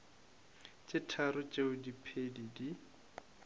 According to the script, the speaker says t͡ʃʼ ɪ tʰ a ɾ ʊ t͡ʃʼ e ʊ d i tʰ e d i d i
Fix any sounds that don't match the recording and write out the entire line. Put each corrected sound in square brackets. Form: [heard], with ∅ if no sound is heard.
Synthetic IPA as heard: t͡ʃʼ ɪ tʰ a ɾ ʊ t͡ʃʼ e ʊ d i [pʰ] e d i d i